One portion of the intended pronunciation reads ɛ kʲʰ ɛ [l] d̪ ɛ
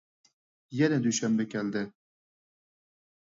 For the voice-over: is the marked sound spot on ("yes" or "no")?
yes